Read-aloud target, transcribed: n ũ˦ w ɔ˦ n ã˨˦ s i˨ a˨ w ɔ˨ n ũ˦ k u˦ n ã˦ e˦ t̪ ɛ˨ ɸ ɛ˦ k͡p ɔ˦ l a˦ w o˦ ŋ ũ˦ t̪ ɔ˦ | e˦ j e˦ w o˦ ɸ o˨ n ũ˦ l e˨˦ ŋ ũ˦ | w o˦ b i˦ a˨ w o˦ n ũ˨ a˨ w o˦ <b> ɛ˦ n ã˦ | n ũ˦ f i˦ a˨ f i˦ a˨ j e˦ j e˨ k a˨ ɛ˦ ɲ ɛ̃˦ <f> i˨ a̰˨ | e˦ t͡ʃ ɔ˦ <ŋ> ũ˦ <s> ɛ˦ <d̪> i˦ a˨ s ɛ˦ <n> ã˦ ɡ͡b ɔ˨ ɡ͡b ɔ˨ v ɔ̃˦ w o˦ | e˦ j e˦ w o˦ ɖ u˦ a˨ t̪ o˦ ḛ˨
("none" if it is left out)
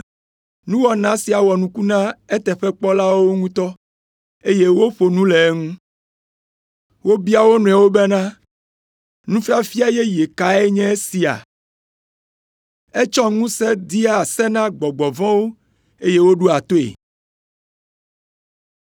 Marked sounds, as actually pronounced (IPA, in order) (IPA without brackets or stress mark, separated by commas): b, s, ŋ, s, d̪, n